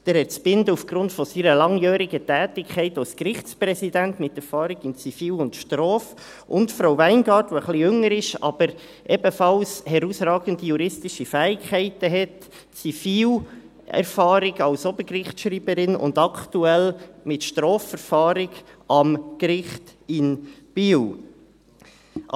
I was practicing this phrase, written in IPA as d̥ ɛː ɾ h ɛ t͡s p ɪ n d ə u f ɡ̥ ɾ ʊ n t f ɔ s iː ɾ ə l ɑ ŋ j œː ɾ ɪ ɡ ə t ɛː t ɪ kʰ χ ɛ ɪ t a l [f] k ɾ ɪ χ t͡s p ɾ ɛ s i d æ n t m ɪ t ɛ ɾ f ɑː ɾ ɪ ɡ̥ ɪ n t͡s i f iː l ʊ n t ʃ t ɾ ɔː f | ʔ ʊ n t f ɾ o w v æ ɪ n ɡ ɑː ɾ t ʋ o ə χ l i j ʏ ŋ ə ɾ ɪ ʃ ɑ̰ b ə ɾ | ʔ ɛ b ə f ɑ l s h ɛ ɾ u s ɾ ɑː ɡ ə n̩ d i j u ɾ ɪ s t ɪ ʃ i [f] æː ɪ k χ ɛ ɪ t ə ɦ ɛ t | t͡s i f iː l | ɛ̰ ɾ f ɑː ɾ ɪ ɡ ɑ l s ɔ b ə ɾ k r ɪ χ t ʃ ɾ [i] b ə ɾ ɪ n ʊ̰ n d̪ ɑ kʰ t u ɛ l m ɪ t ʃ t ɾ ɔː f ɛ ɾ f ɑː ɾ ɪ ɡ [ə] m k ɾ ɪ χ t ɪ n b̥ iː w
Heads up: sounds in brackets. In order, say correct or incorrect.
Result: incorrect: s, correct, incorrect: iː, incorrect: ɑ

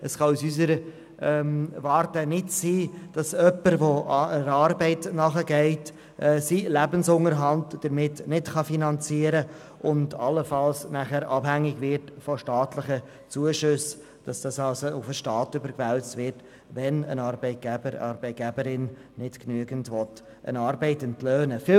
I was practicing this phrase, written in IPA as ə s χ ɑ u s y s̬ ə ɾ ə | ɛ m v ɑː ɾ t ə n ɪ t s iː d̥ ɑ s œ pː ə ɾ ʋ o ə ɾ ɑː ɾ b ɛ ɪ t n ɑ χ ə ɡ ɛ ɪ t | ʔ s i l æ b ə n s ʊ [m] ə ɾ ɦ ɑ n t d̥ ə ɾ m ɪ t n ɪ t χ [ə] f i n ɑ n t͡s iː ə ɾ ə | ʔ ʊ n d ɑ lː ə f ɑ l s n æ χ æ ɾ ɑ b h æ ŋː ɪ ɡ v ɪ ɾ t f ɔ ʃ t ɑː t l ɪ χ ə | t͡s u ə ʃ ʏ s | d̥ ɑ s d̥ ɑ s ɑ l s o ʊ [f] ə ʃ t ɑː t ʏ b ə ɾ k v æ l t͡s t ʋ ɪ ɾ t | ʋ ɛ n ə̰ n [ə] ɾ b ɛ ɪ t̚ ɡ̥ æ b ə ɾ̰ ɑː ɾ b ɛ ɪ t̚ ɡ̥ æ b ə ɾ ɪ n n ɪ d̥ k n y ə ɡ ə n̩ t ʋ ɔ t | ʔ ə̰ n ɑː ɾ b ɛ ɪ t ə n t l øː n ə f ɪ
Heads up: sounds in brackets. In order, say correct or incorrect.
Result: incorrect: ŋ, incorrect: ɑ, correct, incorrect: ɑ

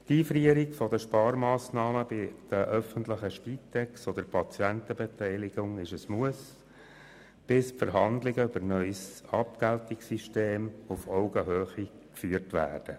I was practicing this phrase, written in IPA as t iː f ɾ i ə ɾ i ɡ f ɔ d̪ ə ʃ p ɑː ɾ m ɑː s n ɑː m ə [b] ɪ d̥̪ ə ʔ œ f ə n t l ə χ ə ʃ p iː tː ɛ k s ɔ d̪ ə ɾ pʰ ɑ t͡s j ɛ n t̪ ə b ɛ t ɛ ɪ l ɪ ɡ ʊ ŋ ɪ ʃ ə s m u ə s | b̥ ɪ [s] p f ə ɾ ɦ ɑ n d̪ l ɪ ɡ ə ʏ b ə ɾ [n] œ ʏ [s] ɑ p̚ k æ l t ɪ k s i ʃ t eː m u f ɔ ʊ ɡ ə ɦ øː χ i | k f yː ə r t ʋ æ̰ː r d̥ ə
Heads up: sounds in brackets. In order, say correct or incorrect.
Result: correct, correct, correct, correct

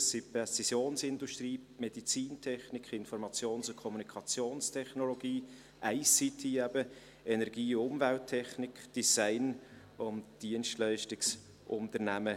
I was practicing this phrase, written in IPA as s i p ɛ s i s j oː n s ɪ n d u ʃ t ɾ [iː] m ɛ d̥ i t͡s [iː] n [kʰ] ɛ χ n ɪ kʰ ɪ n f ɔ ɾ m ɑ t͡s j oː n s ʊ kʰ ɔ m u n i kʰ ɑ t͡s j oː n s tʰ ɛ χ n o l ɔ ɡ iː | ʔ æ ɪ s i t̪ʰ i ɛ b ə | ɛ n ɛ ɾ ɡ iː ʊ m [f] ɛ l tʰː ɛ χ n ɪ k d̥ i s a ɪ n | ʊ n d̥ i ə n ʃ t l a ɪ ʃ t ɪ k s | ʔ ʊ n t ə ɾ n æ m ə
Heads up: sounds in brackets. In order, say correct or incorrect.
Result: correct, correct, incorrect: tʰ, incorrect: v

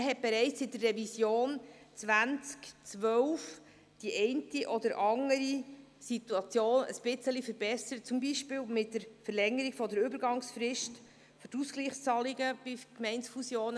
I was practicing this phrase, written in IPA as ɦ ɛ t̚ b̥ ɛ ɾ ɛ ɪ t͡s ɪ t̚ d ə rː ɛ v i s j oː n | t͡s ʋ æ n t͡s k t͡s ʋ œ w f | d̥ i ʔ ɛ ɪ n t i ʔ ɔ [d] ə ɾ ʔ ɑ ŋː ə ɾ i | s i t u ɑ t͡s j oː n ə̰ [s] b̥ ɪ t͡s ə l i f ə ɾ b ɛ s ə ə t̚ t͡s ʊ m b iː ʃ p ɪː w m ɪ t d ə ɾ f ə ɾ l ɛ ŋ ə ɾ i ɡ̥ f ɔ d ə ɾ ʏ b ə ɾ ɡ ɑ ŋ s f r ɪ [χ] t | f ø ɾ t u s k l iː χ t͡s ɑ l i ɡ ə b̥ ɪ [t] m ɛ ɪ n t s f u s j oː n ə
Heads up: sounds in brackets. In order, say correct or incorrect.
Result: correct, correct, incorrect: ʃ, incorrect: k

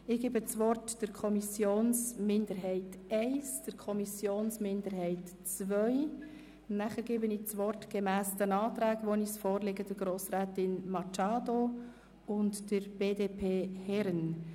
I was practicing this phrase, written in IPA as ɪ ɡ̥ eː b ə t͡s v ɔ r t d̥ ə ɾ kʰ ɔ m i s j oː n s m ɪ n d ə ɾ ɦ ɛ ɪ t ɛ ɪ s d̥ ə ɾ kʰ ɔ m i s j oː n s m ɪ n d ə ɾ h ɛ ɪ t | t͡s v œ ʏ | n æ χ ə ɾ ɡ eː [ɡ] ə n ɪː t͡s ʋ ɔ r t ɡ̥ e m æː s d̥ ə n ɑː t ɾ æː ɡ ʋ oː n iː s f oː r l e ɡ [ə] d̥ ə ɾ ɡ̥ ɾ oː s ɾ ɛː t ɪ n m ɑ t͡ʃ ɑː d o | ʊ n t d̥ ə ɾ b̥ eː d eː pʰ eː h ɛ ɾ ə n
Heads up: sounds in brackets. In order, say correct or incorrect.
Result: incorrect: b, correct

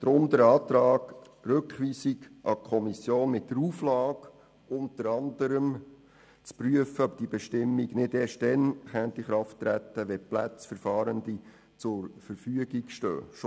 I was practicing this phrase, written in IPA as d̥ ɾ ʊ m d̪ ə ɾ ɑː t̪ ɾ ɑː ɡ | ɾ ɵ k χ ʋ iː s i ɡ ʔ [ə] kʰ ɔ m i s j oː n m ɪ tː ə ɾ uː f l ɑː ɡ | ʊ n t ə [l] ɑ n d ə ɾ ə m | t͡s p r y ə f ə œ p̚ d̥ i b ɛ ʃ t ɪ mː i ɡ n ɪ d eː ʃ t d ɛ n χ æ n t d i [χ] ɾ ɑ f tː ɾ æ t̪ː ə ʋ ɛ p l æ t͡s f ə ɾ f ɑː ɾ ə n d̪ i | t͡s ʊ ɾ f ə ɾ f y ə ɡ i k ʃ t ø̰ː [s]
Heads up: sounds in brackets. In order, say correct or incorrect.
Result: incorrect: ɑ, incorrect: ɾ, correct, incorrect: ʃ

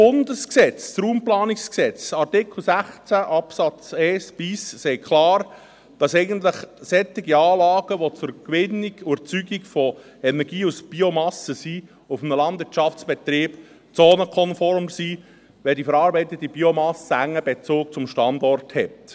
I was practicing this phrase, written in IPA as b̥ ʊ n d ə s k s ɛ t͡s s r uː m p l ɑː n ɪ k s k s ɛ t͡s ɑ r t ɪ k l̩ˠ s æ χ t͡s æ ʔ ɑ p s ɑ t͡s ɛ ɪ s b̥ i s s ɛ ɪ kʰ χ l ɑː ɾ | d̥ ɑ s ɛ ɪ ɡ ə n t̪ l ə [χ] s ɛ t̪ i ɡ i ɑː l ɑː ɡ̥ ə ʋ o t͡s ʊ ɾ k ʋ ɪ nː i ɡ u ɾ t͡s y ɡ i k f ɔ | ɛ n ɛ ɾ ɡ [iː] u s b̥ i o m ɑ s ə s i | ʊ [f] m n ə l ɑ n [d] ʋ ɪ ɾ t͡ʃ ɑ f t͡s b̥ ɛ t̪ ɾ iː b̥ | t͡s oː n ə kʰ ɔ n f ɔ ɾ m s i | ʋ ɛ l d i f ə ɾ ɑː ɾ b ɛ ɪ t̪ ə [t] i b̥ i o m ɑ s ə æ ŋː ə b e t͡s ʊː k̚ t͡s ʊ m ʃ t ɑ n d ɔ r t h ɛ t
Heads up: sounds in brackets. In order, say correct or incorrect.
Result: correct, correct, correct, correct, correct

